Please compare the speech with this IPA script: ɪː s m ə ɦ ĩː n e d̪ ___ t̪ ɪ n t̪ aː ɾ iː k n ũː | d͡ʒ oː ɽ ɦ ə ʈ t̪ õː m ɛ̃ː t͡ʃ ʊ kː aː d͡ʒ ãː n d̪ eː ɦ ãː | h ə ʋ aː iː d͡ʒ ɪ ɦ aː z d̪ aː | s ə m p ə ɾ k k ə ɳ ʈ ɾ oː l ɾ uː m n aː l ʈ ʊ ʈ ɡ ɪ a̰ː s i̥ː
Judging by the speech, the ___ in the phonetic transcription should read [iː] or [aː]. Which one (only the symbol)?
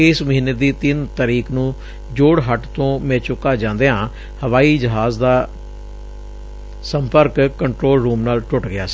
iː